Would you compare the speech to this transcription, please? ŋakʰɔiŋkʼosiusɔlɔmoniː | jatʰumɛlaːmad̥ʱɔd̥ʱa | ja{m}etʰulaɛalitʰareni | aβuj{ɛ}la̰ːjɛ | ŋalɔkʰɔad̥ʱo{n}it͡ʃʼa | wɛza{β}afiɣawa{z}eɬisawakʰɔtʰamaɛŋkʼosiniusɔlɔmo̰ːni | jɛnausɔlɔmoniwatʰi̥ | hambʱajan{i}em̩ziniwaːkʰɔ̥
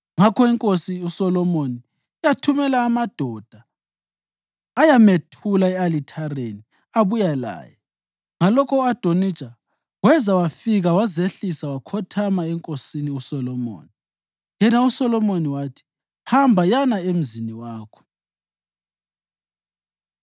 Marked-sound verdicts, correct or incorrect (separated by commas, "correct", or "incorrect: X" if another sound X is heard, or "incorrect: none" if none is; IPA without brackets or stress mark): correct, incorrect: a, correct, incorrect: w, correct, incorrect: a